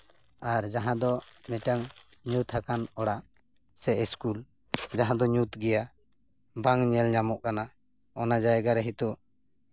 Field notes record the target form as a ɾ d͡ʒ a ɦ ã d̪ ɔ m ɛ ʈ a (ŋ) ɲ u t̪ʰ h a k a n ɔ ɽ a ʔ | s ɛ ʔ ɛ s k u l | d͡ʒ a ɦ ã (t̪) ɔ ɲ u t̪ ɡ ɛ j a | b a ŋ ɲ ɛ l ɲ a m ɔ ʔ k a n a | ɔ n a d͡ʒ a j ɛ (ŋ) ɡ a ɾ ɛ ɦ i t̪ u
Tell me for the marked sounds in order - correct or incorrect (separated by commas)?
correct, incorrect, incorrect